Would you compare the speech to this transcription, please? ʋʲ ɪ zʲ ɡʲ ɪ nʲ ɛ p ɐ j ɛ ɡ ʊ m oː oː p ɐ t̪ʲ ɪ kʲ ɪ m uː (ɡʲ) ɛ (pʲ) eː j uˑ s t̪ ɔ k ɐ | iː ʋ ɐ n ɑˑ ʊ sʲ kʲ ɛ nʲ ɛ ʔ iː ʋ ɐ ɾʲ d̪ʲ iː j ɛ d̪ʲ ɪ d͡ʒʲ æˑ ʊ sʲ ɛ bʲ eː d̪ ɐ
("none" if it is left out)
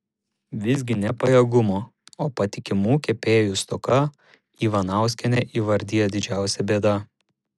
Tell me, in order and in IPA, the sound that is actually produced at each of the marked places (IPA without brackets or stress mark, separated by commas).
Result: kʲ, pʲ